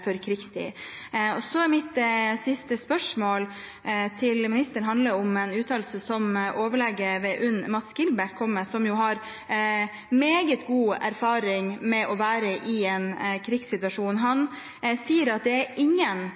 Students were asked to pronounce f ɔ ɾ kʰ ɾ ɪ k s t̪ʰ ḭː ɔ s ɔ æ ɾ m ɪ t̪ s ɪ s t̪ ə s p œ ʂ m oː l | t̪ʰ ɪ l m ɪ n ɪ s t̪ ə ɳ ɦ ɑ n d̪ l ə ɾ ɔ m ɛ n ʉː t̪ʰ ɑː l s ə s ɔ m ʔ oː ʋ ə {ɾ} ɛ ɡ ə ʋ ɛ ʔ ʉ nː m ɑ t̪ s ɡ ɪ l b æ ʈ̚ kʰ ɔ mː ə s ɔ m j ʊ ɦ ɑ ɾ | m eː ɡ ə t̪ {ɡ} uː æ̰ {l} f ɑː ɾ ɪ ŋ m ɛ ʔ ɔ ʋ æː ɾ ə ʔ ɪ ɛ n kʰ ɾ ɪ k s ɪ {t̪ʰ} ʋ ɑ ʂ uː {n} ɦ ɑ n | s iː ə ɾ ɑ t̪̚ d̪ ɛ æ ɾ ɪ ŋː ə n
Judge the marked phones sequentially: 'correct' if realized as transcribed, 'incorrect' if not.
incorrect: ɭ, correct, incorrect: ɾ, incorrect: t̪, correct

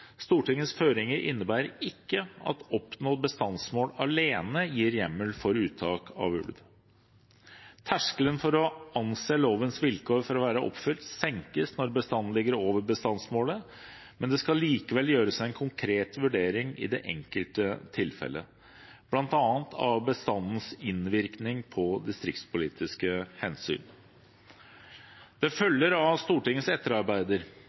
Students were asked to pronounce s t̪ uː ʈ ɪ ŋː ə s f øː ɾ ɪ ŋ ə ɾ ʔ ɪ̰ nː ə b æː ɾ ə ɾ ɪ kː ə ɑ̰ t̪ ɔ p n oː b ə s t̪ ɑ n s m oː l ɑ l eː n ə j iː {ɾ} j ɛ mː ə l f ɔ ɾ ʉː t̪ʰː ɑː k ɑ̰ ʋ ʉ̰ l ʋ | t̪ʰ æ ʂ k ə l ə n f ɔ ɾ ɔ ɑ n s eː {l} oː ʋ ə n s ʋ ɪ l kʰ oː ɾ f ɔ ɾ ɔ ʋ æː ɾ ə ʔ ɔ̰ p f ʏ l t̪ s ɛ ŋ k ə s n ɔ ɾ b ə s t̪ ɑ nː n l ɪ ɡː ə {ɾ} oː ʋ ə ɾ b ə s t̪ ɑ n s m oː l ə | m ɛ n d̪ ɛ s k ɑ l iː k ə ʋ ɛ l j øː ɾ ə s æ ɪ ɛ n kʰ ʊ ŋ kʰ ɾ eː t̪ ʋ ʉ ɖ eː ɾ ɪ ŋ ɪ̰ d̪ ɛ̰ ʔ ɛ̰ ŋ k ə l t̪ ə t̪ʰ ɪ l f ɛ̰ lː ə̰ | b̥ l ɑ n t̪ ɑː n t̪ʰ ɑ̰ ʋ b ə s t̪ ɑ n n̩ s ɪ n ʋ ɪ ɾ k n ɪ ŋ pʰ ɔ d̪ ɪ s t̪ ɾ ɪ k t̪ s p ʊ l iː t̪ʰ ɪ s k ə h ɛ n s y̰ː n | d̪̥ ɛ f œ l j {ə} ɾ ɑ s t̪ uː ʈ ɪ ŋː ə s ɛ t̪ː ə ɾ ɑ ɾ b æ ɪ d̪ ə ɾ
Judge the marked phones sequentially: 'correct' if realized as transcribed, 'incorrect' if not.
correct, correct, correct, correct

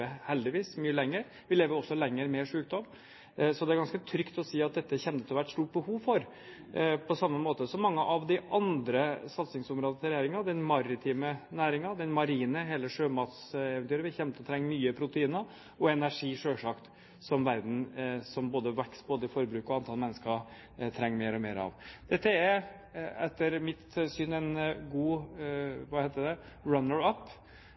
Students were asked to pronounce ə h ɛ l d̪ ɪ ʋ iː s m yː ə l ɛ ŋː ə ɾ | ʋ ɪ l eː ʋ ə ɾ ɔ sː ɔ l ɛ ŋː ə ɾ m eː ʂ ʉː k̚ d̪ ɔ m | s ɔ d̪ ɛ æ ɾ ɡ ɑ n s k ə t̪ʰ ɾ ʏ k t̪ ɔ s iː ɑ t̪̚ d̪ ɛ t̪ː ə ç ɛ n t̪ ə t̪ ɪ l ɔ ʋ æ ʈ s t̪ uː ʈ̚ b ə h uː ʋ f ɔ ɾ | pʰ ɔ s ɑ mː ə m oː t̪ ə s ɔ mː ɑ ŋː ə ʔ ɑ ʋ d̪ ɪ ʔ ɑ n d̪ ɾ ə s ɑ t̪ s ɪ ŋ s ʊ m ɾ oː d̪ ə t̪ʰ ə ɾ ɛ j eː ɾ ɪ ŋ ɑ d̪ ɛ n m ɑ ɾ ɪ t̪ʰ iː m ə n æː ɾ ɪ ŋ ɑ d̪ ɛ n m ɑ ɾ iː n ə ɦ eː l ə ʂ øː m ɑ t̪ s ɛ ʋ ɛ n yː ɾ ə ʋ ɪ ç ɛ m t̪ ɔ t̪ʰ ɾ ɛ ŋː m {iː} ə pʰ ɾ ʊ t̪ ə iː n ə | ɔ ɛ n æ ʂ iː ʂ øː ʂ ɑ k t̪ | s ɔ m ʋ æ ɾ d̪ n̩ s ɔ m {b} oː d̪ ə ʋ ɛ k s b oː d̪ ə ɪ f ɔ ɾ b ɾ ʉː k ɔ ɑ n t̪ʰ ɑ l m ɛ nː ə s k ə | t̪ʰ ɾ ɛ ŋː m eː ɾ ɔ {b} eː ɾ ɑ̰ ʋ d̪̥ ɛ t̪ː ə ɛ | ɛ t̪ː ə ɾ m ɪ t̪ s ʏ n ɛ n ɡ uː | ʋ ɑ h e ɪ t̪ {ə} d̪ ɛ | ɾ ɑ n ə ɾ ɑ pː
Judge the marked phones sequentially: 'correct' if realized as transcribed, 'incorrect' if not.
incorrect: yː, correct, incorrect: m, correct

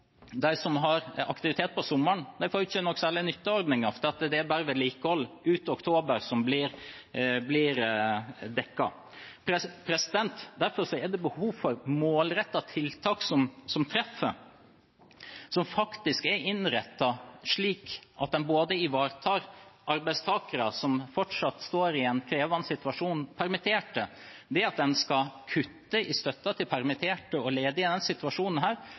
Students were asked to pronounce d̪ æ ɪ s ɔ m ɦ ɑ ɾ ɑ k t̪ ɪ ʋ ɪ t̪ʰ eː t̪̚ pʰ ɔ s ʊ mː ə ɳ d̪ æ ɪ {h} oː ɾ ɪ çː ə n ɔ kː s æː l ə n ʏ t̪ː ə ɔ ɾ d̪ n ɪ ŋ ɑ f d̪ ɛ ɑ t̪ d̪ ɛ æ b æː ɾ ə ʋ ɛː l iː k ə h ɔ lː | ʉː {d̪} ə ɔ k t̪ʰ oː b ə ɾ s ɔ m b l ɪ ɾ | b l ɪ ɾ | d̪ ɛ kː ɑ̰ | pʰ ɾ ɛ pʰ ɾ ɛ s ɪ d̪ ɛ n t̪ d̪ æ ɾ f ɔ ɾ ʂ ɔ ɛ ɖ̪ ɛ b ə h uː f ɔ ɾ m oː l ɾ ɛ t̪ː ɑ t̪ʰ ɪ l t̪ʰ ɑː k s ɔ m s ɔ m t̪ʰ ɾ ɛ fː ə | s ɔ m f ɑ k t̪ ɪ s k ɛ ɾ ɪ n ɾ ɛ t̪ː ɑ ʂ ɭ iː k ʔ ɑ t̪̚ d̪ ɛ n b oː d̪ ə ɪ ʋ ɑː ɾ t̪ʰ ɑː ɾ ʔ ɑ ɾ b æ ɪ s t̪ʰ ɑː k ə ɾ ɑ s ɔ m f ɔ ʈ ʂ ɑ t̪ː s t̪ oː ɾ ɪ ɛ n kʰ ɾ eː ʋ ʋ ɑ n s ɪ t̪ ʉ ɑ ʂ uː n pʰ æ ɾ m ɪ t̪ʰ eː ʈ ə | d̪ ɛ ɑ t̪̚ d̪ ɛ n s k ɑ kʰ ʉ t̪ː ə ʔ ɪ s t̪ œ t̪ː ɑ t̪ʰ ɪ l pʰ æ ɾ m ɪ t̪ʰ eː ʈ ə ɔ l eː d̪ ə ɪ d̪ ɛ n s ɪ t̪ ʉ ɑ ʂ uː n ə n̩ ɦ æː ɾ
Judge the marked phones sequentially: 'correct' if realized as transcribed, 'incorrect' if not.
incorrect: f, incorrect: t̪

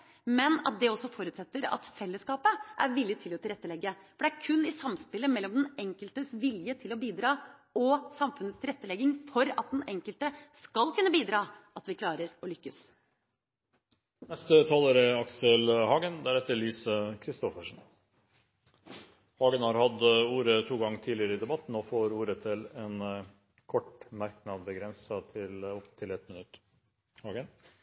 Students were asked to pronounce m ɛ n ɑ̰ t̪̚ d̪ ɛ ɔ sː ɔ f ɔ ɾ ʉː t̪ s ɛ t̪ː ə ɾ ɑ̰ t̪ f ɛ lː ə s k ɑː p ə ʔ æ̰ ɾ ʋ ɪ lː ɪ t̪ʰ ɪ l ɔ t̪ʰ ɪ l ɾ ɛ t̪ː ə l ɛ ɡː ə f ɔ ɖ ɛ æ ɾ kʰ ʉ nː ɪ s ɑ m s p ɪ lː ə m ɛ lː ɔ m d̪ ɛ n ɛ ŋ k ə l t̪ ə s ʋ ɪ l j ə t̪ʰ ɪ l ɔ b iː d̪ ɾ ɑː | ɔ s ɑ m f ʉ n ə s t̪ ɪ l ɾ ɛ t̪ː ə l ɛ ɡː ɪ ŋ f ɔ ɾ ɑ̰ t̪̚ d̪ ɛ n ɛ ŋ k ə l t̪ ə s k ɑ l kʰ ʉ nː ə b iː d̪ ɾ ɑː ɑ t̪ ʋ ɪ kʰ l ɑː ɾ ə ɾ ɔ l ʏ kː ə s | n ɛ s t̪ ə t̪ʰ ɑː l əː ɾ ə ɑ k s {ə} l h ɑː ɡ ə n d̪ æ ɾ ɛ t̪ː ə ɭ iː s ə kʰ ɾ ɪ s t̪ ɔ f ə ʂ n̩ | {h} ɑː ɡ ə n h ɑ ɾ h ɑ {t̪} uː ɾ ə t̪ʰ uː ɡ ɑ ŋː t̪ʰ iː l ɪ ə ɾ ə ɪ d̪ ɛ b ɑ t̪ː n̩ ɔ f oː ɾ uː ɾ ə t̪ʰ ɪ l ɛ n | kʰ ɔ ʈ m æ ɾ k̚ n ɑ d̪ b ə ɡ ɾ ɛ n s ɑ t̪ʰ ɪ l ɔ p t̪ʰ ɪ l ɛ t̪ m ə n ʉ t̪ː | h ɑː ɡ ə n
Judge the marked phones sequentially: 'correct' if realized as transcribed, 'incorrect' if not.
correct, correct, incorrect: d̪

